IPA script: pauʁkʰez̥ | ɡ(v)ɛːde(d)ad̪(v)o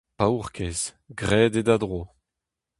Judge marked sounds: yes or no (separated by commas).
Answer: no, yes, no